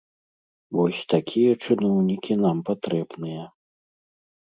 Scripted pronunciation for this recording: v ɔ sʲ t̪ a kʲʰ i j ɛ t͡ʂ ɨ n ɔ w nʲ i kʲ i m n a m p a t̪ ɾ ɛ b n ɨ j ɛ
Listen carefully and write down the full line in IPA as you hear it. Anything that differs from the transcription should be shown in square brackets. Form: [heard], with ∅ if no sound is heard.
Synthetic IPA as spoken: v ɔ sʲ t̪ a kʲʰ i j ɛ t͡ʂ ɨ n ɔ w nʲ i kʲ i [∅] n a m p a t̪ ɾ ɛ b n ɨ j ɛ

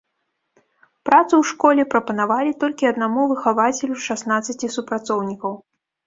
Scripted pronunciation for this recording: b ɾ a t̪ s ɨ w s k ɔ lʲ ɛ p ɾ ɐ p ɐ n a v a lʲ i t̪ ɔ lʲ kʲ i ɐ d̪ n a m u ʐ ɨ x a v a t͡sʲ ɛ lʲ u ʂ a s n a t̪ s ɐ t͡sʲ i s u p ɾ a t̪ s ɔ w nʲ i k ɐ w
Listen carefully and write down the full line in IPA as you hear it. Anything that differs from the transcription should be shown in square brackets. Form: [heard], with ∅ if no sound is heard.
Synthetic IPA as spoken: [p] ɾ a t̪ s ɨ w [ʂ] k ɔ lʲ ɛ p ɾ ɐ p ɐ n a v a lʲ i t̪ ɔ lʲ kʲ i ɐ d̪ n a m u [v] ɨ x a v a t͡sʲ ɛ lʲ u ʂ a s n a t̪ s ɐ t͡sʲ i s u p ɾ a t̪ s ɔ w nʲ i k ɐ w

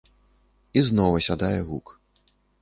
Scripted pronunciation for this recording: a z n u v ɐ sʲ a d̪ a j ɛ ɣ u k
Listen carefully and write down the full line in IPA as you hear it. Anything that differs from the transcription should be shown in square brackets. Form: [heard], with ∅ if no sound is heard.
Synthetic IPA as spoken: [i] z n [ɔ] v ɐ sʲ a d̪ a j ɛ ɣ u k

